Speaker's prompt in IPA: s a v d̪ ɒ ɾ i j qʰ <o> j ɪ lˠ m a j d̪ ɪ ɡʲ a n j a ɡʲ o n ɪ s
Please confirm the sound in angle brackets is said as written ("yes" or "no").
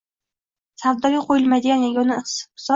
yes